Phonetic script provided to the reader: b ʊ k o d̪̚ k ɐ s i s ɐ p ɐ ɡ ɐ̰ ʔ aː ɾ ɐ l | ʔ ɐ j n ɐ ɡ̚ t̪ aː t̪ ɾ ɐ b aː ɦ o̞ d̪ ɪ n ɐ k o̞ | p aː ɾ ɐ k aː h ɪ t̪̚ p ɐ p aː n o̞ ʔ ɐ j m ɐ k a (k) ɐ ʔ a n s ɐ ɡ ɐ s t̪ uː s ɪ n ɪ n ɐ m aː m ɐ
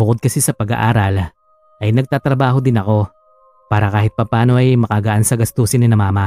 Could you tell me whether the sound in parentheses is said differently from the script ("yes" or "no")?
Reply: yes